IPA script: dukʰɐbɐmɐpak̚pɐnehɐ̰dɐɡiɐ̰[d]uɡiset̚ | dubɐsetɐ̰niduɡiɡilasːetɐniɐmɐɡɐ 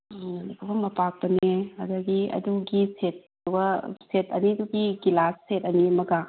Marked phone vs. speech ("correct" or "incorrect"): correct